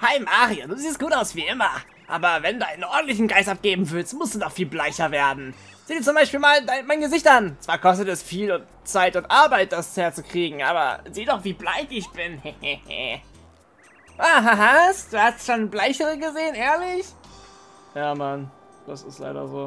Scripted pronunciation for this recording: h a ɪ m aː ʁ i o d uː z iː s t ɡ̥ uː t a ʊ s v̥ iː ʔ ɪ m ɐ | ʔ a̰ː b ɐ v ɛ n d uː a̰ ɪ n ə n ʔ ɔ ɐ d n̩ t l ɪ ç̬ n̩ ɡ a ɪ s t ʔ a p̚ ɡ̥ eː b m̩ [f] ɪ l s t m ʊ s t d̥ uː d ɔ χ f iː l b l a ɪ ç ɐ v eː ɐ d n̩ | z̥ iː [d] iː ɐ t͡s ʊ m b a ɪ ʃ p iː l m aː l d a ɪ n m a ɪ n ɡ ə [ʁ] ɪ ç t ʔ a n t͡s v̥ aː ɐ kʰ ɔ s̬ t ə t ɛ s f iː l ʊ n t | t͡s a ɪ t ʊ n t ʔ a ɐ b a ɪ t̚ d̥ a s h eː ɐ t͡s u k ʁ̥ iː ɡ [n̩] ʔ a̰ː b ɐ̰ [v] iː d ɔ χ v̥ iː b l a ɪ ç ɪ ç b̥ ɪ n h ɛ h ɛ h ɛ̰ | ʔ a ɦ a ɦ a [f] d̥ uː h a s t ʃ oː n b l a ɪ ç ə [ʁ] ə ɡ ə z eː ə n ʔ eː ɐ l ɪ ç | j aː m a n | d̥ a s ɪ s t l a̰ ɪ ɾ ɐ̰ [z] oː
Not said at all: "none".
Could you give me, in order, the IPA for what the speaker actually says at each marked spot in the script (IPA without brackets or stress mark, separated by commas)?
v, d, z, ŋ̩, z, s, ʁ, z